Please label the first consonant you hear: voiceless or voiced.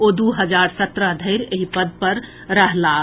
voiced